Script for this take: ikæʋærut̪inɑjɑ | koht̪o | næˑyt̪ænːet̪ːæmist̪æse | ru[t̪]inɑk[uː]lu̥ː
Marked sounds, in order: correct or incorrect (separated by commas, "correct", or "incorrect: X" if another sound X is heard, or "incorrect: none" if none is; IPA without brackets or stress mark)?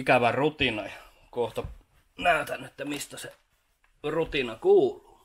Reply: correct, correct